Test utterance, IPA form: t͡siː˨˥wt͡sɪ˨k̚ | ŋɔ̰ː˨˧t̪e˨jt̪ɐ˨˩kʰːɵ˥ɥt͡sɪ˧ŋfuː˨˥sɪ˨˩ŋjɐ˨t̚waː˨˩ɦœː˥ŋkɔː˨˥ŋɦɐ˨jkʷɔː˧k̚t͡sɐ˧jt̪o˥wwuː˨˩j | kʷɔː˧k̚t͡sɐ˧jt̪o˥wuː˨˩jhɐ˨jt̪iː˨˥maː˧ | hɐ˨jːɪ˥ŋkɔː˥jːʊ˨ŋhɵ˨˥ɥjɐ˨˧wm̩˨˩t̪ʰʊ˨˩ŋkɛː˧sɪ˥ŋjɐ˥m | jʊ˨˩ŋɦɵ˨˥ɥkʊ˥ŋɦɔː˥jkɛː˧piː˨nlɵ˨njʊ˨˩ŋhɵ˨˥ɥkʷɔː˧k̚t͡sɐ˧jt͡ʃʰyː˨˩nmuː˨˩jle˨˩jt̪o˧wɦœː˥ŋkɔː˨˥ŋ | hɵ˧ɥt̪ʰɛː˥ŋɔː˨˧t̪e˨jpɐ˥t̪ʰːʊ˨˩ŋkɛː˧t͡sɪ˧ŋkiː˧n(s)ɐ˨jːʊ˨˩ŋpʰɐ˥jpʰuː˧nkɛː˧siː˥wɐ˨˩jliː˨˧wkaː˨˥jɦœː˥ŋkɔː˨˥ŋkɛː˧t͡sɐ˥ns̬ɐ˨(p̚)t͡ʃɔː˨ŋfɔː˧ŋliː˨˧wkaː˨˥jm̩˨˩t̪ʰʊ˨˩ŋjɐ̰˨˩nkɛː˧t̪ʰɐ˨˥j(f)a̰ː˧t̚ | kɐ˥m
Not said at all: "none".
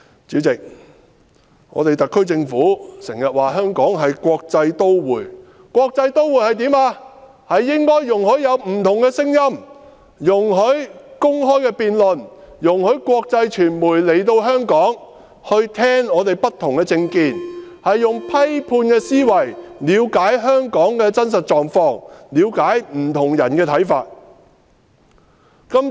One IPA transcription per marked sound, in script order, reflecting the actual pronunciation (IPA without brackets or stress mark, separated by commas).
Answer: h, t̚, f